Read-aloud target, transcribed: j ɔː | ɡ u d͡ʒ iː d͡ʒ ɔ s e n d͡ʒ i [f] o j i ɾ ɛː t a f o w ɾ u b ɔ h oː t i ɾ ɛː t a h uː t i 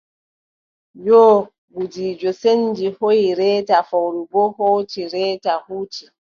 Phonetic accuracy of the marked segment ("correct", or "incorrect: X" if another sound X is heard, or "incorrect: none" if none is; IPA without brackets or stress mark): incorrect: h